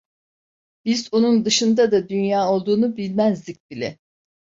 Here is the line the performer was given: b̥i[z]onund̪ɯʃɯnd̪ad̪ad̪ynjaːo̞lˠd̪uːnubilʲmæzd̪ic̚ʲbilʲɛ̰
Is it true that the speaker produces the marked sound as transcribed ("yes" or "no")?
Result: yes